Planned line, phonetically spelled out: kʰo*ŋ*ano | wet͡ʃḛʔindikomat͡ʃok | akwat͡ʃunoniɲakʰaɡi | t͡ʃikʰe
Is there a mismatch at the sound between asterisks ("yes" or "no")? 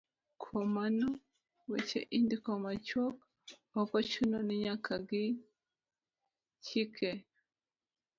yes